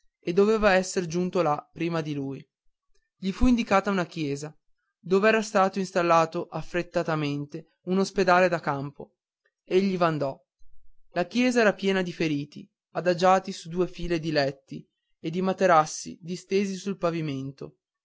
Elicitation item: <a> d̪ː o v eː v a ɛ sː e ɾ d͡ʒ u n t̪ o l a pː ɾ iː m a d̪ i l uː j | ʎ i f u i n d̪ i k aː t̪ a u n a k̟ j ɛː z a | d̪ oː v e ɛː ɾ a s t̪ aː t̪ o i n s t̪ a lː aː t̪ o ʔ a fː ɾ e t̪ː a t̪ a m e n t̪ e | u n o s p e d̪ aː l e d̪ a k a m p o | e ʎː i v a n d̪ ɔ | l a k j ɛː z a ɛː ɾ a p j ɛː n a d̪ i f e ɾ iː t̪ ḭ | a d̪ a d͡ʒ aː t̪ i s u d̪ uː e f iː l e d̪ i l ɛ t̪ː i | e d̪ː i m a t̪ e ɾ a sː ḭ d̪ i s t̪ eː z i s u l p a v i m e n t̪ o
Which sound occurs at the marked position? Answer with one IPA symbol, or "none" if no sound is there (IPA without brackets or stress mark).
e